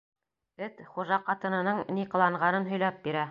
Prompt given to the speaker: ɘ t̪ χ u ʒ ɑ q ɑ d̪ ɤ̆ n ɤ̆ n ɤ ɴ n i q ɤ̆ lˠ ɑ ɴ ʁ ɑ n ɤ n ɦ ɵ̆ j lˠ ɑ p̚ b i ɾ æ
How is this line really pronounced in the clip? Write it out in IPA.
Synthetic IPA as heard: ɘ t̪ χ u ʒ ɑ q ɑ t̪ ɤ̆ n ɤ̆ n ɤ ɴ n i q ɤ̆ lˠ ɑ ɴ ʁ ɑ n ɤ n ɦ ɵ̆ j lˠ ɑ p̚ b i ɾ æ